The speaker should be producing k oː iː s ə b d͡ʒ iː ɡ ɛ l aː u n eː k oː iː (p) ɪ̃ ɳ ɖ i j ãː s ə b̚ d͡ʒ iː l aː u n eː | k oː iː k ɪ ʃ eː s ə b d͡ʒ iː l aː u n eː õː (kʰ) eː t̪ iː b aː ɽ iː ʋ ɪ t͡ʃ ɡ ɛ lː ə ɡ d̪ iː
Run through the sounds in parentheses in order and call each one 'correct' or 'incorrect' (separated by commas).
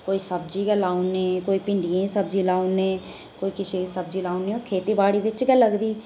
correct, correct